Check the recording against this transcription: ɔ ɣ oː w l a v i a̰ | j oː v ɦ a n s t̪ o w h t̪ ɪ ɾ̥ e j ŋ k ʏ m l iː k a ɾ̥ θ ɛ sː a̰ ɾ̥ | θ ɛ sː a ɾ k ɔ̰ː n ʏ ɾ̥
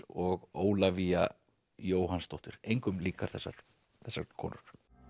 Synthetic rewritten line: ɔ ɣ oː w l a v i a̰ | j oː w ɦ a n s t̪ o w h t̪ ɪ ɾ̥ e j ŋ k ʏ m l iː k a ɾ̥ θ ɛ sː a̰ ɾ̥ | θ ɛ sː a ɾ kʰ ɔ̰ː n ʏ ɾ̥